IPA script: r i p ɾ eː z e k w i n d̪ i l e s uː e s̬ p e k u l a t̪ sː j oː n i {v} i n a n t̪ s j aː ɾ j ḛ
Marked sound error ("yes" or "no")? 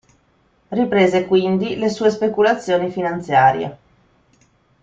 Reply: yes